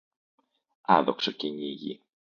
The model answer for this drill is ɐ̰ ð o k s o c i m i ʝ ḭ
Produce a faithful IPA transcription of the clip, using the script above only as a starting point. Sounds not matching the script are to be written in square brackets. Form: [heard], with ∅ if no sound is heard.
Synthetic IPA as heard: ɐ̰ ð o k s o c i [ɲ] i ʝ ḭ